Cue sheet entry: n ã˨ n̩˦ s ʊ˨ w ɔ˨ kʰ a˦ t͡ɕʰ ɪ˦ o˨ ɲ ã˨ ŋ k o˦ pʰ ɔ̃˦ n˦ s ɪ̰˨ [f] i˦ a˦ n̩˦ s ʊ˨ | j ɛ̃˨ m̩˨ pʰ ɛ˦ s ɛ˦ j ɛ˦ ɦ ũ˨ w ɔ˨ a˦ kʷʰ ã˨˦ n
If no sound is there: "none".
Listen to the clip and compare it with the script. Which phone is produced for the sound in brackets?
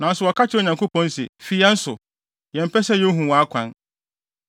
f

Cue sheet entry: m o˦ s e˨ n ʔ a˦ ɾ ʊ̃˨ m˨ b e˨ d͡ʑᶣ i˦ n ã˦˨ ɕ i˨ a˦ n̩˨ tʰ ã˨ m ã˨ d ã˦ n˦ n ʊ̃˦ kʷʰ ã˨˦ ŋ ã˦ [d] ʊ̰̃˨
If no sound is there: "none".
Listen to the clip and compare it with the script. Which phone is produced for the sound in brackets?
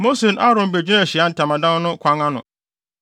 n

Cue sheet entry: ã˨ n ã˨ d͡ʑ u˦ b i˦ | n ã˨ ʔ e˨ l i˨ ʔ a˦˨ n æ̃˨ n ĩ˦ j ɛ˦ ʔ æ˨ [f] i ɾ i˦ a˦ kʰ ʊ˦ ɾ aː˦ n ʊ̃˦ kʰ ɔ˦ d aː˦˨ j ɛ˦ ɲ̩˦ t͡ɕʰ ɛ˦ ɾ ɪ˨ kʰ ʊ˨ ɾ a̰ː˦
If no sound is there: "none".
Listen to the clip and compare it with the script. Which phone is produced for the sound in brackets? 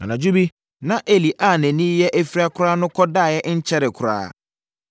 f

